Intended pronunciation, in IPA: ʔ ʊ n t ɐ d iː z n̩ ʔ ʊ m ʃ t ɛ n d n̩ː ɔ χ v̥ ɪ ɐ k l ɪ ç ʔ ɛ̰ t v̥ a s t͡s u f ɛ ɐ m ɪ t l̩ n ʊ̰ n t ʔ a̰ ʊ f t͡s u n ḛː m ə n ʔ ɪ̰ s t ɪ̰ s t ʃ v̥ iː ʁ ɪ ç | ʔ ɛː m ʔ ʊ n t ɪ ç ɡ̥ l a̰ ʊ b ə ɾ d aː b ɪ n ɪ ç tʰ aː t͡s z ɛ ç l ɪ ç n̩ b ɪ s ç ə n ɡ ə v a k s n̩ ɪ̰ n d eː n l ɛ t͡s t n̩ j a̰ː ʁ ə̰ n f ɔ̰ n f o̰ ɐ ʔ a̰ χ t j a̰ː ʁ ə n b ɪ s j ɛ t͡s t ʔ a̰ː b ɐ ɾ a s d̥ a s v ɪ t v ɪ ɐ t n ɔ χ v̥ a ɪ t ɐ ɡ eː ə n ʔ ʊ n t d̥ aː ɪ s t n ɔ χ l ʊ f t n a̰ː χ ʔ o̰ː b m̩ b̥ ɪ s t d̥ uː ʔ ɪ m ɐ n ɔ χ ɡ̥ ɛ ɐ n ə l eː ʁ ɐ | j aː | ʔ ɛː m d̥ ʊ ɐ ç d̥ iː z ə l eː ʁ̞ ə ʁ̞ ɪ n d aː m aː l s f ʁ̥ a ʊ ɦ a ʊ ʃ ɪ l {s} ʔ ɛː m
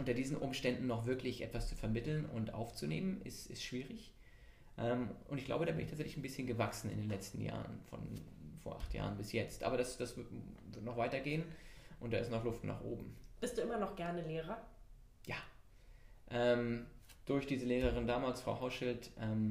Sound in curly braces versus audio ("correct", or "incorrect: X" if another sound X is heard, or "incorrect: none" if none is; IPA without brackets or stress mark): incorrect: t